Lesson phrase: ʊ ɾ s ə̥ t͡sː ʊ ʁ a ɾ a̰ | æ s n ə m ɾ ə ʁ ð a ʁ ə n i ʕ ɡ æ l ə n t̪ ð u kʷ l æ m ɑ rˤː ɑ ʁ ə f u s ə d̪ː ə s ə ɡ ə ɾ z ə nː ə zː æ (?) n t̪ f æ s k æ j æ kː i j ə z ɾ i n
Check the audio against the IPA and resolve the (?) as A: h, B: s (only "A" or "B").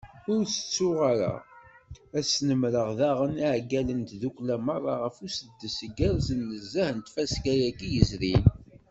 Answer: A